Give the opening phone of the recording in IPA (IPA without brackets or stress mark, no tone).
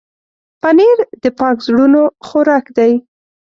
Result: p